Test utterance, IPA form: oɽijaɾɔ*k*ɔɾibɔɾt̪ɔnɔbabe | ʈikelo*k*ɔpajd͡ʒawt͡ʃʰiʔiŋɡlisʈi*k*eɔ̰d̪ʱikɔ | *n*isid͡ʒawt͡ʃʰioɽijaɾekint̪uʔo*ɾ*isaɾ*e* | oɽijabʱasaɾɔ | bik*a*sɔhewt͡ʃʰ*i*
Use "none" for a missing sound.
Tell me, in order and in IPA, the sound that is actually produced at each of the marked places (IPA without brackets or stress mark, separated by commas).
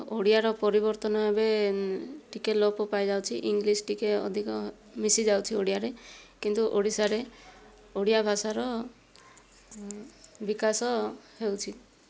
p, p, k, m, ɽ, e, a, i